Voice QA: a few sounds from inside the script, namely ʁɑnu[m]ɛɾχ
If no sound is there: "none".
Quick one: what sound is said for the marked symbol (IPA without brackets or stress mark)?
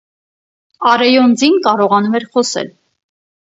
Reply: m